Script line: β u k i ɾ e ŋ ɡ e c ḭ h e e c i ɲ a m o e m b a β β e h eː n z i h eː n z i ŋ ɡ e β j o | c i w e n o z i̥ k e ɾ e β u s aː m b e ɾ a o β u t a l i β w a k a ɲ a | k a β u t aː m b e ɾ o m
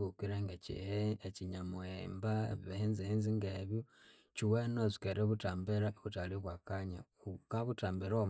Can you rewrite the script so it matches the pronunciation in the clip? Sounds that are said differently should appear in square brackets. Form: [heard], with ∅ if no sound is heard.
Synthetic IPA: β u k i ɾ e ŋ ɡ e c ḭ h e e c i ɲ a m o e m b a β β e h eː n z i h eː n z i ŋ ɡ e β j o | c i w e n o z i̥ k e ɾ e β u [t] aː m b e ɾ a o β u t a l i β w a k a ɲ a | k a β u t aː m b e ɾ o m